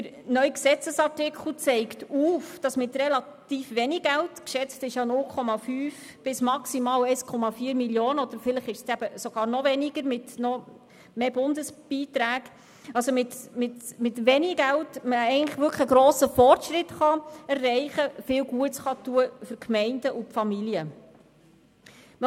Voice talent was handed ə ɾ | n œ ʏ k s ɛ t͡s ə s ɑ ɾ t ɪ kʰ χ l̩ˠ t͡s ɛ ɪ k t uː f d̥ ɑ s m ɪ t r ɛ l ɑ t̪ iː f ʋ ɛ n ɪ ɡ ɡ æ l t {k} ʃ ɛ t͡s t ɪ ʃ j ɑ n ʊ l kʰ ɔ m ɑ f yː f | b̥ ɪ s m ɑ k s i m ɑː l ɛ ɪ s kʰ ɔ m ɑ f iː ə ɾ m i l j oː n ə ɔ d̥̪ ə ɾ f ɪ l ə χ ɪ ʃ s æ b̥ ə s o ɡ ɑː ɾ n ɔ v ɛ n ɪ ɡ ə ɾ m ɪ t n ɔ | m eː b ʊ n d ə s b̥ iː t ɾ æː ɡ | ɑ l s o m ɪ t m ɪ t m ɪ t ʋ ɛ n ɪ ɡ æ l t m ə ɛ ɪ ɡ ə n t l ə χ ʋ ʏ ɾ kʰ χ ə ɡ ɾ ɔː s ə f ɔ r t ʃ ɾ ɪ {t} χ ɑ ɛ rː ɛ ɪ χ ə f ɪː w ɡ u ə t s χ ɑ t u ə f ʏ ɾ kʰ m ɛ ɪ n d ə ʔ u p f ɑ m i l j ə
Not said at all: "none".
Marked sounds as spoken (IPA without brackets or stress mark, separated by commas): k, t